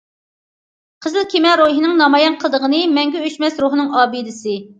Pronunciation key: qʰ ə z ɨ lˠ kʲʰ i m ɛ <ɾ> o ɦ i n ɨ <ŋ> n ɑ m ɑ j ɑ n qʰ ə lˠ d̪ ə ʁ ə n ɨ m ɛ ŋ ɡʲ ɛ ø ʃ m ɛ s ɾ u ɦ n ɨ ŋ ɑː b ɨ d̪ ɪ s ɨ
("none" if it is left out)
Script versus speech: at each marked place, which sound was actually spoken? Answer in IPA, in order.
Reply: ɾ, ŋ

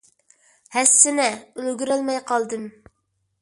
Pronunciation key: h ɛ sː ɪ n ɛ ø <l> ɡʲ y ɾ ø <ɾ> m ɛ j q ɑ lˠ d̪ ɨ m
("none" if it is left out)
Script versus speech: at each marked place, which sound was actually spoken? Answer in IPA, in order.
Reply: l, l

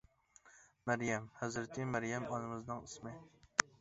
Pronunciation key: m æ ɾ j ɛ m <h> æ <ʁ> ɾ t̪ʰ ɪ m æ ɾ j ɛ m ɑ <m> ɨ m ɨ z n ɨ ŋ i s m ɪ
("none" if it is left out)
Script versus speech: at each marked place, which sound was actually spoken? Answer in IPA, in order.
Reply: h, z, n

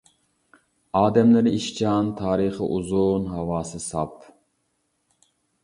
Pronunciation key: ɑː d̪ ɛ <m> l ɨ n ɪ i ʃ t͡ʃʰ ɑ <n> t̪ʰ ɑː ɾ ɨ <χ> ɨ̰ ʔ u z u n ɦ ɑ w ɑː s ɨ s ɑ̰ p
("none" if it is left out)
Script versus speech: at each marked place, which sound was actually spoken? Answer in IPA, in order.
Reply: m, n, χ

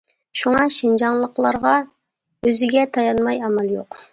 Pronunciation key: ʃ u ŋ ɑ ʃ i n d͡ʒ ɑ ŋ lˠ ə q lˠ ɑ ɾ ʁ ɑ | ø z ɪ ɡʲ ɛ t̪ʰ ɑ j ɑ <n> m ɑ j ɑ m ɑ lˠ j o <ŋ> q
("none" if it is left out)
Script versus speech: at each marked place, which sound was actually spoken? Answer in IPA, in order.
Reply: n, none

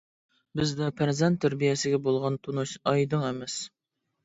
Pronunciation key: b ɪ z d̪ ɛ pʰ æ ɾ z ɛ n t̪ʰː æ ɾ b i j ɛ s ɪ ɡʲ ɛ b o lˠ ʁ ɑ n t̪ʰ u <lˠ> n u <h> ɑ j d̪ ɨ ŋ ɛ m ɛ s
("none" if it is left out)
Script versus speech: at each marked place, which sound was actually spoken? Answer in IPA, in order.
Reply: none, ʃ

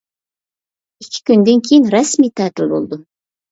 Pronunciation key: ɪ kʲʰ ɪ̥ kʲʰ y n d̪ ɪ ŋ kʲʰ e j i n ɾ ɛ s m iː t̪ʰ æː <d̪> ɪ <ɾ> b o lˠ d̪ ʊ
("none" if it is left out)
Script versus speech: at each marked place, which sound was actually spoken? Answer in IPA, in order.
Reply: t̪, l

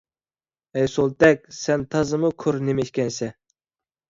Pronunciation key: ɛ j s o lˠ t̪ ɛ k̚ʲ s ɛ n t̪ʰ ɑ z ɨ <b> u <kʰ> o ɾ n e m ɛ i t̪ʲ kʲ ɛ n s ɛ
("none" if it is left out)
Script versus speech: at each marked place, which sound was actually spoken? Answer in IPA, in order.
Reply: m, kʰ

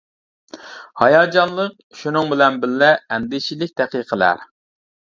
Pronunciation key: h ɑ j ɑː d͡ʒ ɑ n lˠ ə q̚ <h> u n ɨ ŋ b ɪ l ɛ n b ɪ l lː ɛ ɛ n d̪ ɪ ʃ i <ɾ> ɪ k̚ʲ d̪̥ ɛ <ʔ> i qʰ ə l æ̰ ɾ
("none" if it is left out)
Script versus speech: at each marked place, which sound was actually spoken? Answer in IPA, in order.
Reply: ʃ, l, q

